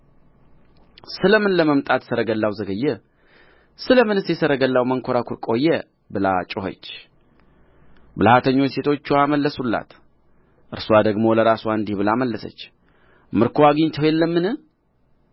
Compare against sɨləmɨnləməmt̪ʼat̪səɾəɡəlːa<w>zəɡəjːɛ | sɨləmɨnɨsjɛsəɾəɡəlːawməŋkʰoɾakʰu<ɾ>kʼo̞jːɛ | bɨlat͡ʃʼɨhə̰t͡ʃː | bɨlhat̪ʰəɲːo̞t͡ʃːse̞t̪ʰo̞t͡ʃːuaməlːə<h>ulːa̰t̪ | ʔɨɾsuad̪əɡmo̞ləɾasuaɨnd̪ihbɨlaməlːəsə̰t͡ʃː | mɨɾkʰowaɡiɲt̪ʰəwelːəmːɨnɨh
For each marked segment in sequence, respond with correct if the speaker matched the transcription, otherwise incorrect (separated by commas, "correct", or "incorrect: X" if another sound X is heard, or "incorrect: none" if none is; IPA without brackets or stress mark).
correct, correct, incorrect: s